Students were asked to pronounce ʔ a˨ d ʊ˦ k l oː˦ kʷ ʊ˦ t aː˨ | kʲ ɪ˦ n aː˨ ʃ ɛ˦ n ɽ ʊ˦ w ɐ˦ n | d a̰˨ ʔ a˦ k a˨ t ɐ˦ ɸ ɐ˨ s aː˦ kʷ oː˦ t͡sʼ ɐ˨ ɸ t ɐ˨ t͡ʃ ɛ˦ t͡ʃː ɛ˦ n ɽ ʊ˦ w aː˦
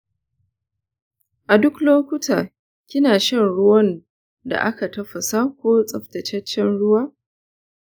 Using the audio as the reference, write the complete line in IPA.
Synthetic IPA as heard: ʔ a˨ d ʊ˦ k l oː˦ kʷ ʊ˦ t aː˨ | kʲ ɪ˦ n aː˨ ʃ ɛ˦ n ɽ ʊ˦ w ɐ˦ n | d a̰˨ ʔ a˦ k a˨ t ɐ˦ ɸ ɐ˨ s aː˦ kʷ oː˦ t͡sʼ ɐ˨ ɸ t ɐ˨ t͡ʃ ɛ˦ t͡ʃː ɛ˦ n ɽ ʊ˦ w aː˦